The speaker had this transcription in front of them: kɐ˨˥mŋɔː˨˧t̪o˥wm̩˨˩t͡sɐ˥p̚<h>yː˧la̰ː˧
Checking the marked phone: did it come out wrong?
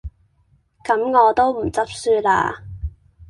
yes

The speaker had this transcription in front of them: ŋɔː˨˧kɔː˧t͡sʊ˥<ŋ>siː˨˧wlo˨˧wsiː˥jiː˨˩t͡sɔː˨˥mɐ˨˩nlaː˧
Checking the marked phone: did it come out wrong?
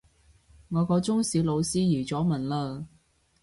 no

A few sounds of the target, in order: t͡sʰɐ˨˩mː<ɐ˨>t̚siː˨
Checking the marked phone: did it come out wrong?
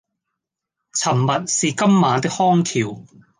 no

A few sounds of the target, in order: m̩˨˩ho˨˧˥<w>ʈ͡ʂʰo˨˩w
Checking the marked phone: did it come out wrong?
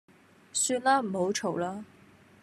no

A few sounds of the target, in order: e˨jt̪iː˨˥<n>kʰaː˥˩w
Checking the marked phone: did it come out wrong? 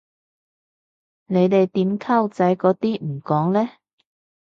yes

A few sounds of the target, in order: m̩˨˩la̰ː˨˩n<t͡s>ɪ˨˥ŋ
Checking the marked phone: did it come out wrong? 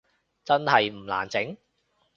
no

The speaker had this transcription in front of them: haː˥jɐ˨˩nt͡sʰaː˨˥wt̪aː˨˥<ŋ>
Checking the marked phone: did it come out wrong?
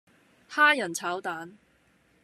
yes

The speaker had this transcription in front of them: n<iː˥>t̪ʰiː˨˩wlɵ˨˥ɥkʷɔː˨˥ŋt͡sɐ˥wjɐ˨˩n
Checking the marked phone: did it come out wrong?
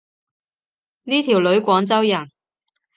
no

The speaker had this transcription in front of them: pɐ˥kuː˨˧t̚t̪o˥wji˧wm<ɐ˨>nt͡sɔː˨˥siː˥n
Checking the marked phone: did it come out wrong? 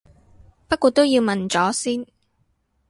no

